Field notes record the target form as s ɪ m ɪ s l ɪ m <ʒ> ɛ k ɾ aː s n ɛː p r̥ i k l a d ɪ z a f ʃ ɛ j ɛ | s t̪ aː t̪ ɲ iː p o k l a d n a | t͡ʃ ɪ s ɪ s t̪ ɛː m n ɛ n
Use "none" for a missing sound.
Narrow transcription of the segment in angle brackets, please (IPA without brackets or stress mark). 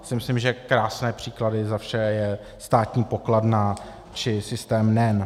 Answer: ʒ